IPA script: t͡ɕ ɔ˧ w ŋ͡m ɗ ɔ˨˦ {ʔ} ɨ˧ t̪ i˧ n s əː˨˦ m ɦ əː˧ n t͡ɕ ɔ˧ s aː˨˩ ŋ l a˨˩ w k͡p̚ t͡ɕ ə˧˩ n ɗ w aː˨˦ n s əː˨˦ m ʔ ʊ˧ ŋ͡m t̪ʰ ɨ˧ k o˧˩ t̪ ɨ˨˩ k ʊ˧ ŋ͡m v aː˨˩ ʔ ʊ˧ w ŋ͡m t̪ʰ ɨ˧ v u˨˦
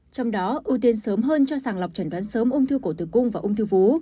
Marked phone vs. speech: correct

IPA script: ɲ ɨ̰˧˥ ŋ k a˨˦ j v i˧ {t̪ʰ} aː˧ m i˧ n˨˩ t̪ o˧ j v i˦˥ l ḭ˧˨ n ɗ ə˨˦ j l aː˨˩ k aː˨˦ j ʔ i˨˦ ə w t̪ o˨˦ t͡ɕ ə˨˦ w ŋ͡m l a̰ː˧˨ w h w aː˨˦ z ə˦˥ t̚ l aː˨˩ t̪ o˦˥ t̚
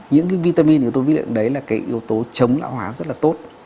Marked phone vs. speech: incorrect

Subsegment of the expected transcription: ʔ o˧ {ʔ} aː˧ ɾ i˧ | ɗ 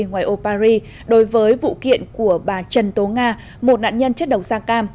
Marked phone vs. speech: incorrect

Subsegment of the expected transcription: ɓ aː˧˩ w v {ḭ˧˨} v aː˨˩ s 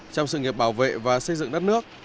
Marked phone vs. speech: incorrect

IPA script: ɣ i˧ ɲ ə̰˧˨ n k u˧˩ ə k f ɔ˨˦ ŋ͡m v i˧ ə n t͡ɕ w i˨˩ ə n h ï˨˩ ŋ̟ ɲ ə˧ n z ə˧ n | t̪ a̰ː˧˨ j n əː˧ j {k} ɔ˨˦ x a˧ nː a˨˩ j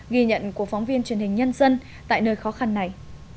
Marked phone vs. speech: incorrect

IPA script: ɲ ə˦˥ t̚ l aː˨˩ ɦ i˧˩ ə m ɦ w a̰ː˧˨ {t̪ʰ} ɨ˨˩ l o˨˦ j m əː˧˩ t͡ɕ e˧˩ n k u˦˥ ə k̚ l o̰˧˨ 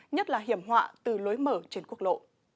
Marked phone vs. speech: incorrect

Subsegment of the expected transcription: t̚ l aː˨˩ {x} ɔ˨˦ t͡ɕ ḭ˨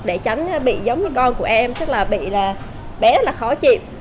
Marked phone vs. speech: correct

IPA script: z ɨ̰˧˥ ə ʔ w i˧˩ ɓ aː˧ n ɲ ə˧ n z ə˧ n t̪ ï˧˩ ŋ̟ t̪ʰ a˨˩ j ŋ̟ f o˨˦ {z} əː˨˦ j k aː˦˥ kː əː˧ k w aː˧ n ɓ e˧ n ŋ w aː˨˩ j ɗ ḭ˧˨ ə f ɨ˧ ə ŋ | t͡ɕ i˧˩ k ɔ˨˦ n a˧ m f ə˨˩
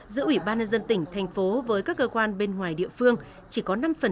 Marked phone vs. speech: incorrect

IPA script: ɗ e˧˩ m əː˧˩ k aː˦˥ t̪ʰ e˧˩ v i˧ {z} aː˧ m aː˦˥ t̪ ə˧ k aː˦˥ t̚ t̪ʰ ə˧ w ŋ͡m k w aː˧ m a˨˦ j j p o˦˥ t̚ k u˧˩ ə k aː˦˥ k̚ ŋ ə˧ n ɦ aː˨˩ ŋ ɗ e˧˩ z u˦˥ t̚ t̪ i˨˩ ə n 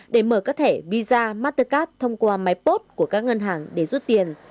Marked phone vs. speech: correct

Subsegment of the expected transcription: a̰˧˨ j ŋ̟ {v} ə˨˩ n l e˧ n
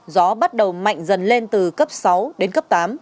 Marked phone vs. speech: incorrect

